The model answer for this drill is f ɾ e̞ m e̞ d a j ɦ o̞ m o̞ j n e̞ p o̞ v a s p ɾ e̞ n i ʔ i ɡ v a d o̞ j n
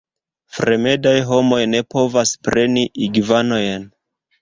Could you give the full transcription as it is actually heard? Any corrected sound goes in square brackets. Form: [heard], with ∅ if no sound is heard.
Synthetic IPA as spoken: f ɾ e̞ m e̞ d a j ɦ o̞ m o̞ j n e̞ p o̞ v a s p ɾ e̞ n i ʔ i ɡ v a [n] o̞ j n